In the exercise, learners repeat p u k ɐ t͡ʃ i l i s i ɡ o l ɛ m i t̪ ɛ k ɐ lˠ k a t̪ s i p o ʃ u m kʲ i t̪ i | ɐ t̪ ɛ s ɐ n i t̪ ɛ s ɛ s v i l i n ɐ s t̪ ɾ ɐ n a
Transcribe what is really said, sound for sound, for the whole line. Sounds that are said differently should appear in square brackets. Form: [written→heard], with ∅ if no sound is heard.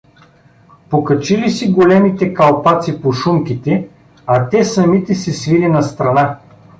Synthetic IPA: p [u→o] k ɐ t͡ʃ i l i s i ɡ o l ɛ m i t̪ ɛ k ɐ lˠ [k→p] a t̪ s i p o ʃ u m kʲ i t̪ [i→ɛ] | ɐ t̪ ɛ s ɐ [n→m] i t̪ ɛ s ɛ s v i l i n ɐ s t̪ ɾ ɐ n a

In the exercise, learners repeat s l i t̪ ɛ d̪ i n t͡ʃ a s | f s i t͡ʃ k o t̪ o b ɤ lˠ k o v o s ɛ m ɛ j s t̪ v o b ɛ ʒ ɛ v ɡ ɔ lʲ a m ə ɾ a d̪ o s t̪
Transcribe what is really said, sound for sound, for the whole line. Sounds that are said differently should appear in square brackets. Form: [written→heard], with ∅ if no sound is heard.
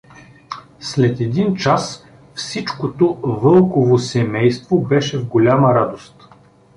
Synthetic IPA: s l [i→ɛ] t̪ ɛ d̪ i n t͡ʃ a s | f s i t͡ʃ k o t̪ o [b→v] ɤ lˠ k o v o s ɛ m ɛ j s t̪ v o b ɛ [ʒ→ʃ] ɛ v ɡ [ɔ→o] lʲ a m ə ɾ a d̪ o s t̪

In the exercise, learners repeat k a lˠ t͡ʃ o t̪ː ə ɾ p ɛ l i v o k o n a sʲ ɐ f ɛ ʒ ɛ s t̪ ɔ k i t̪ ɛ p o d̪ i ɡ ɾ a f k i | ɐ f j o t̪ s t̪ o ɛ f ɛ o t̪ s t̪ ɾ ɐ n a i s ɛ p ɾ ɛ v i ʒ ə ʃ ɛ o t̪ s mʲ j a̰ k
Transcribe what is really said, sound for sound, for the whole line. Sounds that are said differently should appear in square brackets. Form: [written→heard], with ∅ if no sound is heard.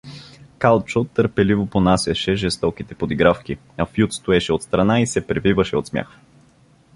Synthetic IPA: k a lˠ t͡ʃ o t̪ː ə ɾ p ɛ l i v o [k→p] o n a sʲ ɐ [f→ʃ] ɛ ʒ ɛ s t̪ ɔ k i t̪ ɛ p o d̪ i ɡ ɾ a f k i | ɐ f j [o→u] t̪ s t̪ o ɛ [f→ʃ] ɛ o t̪ s t̪ ɾ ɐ n a i s ɛ p ɾ ɛ v i [ʒ→v] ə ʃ ɛ o t̪ s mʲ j a̰ [k→x]

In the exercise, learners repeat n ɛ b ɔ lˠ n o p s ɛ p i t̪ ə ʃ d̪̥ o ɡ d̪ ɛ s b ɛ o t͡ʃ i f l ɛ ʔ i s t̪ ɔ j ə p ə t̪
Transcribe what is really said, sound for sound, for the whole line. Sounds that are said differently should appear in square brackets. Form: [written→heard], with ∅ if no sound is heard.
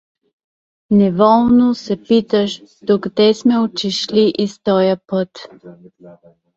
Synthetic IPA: n ɛ [b→v] ɔ lˠ n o [p→∅] s ɛ p i t̪ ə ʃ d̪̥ o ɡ d̪ ɛ s [b→m] ɛ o t͡ʃ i [f→ʃ] l [ɛ→i] ʔ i s t̪ ɔ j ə p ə t̪

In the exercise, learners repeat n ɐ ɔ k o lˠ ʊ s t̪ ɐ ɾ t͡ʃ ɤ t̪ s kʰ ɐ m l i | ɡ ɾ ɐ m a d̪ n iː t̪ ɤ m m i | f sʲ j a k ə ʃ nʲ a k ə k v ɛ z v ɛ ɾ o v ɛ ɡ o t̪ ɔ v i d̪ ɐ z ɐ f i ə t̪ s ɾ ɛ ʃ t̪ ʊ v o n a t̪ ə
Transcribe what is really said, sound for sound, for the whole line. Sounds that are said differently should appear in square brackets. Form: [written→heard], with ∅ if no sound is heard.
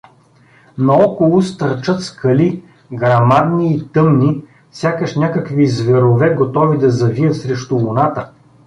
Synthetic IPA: n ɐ ɔ k o lˠ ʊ s t̪ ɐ ɾ t͡ʃ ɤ t̪ s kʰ ɐ [m→∅] l i | ɡ ɾ ɐ m a d̪ n iː t̪ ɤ m [m→n] i | f sʲ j a k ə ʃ nʲ a k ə k v [ɛ→i] z v ɛ ɾ o v ɛ ɡ o t̪ ɔ v i d̪ ɐ z ɐ [f→v] i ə t̪ s ɾ ɛ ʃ t̪ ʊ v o n a t̪ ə

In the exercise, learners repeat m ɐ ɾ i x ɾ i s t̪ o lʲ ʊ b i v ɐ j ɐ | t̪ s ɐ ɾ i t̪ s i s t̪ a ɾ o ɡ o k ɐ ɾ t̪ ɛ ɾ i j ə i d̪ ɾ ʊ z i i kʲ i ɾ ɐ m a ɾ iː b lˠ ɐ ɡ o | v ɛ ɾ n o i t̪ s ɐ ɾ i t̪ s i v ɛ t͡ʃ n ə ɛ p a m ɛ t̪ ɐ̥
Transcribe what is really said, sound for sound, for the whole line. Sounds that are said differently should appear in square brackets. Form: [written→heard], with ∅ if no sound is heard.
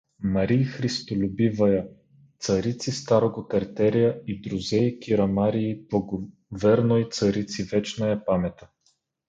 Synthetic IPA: m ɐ ɾ i x ɾ i s t̪ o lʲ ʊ b i v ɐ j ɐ | t̪ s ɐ ɾ i t̪ s i s t̪ a ɾ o ɡ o k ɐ ɾ t̪ ɛ ɾ i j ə i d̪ ɾ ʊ z [i→ɛ] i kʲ i ɾ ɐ m a ɾ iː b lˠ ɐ ɡ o | v ɛ ɾ n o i t̪ s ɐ ɾ i t̪ s i v ɛ t͡ʃ n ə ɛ p a m ɛ t̪ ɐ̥

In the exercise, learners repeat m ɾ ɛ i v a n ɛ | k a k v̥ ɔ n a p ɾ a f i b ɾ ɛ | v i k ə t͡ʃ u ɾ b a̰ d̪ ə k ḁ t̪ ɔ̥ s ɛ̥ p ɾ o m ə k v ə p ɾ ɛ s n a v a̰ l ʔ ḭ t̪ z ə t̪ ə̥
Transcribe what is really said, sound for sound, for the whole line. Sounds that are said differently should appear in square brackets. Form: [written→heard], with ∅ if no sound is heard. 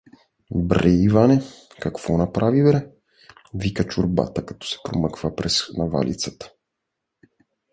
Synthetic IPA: [m→b] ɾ ɛ i v a n ɛ | k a k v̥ ɔ n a p ɾ a [f→v] i b ɾ ɛ | v i k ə t͡ʃ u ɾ b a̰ [d̪→t̪] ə k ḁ t̪ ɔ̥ s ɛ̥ p ɾ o m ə k v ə p ɾ ɛ s n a v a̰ l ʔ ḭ t̪ [z→s] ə t̪ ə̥

